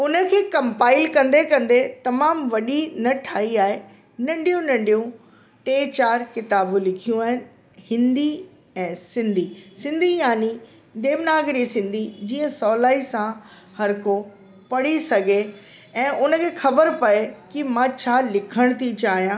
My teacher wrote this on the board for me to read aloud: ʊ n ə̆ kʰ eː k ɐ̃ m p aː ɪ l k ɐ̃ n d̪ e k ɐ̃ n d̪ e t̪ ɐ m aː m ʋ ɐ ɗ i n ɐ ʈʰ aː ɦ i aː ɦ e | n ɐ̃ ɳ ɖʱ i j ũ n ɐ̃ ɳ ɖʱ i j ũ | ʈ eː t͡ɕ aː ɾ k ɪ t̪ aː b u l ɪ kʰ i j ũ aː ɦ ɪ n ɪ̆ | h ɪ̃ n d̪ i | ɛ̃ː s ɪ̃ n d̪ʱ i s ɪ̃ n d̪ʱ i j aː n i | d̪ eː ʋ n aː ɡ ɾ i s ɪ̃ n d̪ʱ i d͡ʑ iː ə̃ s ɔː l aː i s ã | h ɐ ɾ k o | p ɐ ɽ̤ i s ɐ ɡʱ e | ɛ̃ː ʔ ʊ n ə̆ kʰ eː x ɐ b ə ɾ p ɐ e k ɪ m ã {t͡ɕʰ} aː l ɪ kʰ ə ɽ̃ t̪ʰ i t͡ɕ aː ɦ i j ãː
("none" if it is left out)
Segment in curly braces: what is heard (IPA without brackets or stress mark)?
t͡ɕʰ